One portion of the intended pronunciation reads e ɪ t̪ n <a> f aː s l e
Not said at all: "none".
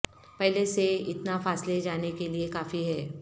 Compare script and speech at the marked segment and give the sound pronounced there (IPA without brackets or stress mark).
a